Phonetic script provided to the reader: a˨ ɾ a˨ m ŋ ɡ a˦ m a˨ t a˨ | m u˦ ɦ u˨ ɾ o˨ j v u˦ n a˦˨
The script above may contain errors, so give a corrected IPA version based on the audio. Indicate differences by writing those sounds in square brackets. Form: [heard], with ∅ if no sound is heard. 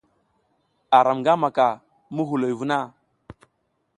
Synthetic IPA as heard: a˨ ɾ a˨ m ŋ ɡ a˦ m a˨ [k] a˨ | m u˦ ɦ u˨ [l] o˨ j v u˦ n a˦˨

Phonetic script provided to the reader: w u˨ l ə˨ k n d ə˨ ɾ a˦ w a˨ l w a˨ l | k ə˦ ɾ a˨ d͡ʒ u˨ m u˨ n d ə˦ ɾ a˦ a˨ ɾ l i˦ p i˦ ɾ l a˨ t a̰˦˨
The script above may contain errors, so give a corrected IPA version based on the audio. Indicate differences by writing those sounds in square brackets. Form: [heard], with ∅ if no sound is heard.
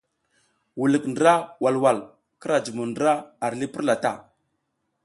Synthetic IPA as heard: w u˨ l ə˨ k n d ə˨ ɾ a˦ w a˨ l w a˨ l | k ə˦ ɾ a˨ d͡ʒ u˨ m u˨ n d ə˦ ɾ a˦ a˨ ɾ l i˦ p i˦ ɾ l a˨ t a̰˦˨

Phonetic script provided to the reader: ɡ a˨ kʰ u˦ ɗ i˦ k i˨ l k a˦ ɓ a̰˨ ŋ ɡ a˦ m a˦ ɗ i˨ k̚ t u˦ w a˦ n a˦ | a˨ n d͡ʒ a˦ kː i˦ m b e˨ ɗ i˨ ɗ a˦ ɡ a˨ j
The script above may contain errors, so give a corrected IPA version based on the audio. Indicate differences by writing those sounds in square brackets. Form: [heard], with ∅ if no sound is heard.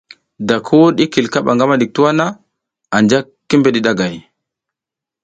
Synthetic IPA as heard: [d] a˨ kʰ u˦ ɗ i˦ k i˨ l k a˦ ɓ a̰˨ ŋ ɡ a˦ m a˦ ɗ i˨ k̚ t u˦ w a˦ n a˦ | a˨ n d͡ʒ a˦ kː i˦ m b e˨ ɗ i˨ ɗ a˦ ɡ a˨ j

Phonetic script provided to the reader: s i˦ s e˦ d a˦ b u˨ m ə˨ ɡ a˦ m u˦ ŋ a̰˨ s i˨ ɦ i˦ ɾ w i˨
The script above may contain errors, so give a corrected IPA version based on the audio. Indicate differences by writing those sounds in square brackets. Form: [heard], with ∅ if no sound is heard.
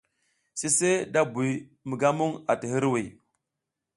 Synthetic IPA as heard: s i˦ s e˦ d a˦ b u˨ m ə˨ ɡ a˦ m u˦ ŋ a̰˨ [t] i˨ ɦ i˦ ɾ w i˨

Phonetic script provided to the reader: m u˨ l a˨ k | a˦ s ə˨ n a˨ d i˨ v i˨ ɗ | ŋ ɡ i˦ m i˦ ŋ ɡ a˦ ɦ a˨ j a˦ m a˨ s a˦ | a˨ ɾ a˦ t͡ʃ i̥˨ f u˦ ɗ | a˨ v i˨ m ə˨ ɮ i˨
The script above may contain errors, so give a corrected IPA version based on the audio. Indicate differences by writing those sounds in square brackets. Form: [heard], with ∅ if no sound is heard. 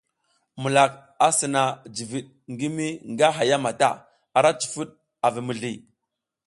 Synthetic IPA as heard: m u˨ l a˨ k | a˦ s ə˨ n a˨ [d͡ʒ] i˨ v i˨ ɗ | ŋ ɡ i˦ m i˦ ŋ ɡ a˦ ɦ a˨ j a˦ m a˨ [t] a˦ | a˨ ɾ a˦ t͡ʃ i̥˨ f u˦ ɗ | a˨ v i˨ m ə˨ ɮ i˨

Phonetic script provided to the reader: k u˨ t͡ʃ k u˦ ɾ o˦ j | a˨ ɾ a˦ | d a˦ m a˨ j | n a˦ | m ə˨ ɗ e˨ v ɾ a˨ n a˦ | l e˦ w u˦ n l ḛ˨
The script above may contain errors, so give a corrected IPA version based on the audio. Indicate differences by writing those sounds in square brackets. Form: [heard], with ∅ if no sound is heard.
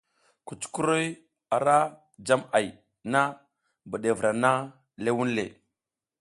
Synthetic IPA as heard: k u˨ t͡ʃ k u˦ ɾ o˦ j | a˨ ɾ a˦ | [d͡ʒ] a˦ m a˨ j | n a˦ | [b] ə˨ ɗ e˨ v ɾ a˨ n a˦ | l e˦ w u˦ n l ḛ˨

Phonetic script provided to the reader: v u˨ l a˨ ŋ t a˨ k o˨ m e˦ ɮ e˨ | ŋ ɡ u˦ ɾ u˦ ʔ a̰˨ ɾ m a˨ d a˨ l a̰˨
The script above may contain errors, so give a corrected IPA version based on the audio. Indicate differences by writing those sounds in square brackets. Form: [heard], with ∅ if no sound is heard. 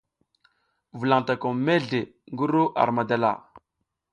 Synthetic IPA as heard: v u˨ l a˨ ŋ t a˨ k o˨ m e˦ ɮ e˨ | ŋ ɡ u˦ ɾ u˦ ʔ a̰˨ ɾ m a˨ d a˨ l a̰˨

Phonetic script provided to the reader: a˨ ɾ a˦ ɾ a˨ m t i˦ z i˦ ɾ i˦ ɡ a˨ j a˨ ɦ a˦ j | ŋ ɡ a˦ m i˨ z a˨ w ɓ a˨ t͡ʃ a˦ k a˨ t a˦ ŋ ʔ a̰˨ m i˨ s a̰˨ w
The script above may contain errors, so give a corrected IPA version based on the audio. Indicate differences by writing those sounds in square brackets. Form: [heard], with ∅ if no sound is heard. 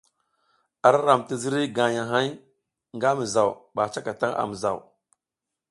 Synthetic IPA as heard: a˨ ɾ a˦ ɾ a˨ m t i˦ z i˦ ɾ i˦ ɡ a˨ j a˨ ɦ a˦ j | ŋ ɡ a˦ m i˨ z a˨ w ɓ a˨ t͡ʃ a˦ k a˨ t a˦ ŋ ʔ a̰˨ m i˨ [z] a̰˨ w

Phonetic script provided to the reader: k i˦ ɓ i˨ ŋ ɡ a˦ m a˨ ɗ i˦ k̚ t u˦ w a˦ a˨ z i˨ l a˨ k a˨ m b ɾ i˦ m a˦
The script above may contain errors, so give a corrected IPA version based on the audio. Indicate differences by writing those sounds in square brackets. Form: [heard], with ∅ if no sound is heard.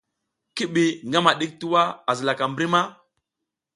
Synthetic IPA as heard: k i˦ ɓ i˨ ŋ ɡ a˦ m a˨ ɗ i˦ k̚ t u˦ w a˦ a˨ z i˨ l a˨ k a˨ m b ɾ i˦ m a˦

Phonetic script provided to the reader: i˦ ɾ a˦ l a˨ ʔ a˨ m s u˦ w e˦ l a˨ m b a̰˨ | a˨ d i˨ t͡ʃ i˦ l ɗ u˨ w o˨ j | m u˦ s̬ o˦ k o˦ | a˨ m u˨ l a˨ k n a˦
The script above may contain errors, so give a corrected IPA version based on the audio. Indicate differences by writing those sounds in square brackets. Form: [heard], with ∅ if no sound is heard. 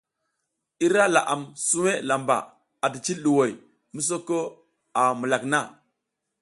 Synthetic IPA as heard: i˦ ɾ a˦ l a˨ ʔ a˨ m s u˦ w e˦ l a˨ m b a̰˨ | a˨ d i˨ t͡ʃ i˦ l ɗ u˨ w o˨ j | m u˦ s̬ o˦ k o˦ | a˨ m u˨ l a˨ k n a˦

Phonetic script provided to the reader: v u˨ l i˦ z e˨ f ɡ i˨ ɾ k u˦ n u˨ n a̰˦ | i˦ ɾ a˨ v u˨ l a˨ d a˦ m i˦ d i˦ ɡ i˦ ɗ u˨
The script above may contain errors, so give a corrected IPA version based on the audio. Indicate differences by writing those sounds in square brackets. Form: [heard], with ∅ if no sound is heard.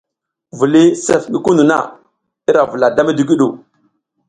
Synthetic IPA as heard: v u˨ l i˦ [s] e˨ f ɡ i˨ [∅] k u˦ n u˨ n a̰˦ | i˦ ɾ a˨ v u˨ l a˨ d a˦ m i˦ d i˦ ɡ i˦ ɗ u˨

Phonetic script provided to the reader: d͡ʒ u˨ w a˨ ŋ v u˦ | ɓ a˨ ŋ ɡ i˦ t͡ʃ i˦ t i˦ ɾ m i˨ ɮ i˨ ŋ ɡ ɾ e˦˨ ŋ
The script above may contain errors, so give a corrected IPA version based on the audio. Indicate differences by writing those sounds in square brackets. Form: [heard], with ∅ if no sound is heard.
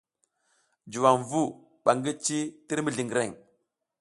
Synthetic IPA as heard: d͡ʒ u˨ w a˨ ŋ v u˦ | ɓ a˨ ŋ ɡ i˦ t͡ʃ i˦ t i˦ ɾ m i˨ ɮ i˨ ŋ ɡ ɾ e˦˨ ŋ

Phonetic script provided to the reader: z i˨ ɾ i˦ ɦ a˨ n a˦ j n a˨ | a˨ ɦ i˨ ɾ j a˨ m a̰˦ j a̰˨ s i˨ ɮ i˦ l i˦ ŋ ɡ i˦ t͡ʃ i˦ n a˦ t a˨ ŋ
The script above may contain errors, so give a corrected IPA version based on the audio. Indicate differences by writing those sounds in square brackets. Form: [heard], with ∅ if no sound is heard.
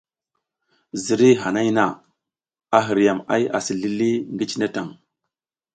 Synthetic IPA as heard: z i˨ ɾ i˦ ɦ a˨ n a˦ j n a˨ | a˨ ɦ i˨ ɾ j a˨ m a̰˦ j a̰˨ s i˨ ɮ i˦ l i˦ ŋ ɡ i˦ t͡ʃ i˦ n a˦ t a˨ ŋ

